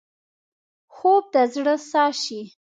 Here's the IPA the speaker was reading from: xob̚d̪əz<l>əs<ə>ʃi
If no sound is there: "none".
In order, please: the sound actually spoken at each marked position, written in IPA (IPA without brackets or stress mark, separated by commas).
ɽ, ɑ